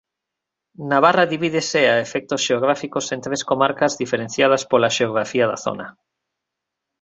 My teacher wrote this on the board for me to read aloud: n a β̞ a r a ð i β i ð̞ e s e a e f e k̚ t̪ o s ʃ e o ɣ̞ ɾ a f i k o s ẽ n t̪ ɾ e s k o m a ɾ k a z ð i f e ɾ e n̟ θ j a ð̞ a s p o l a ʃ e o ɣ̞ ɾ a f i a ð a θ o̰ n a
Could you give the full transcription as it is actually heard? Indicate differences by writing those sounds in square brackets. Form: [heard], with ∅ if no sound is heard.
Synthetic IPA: n a β̞ a r a ð i β i ð̞ e s e a e f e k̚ t̪ o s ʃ e o ɣ̞ ɾ a f i k o s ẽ n t̪ ɾ e s k o m a ɾ k a z ð i f e ɾ e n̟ θ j a ð̞ a s p o l a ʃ e o ɣ̞ ɾ a f i a ð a θ o̰ n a